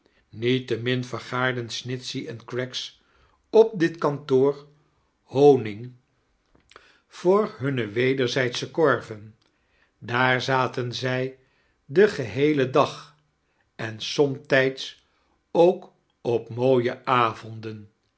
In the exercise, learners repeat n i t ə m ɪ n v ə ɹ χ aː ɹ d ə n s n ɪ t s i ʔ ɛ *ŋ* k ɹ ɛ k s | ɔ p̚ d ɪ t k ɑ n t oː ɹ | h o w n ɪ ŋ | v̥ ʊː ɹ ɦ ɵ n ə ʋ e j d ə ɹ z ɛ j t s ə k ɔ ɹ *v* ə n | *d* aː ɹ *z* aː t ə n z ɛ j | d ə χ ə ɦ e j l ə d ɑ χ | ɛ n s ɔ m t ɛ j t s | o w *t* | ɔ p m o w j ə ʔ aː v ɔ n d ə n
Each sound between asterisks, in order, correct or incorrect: incorrect, correct, correct, correct, incorrect

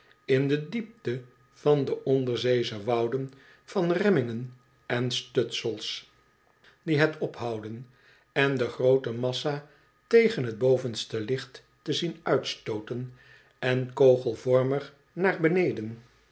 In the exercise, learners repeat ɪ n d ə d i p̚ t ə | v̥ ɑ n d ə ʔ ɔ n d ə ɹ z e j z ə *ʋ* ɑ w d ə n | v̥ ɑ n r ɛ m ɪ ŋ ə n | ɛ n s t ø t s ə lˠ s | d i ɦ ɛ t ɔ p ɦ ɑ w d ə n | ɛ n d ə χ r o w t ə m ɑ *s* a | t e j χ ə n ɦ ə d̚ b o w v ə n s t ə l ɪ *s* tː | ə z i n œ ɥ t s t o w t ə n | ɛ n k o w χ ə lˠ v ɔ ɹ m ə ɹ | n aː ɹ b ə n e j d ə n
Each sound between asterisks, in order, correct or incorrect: correct, correct, incorrect

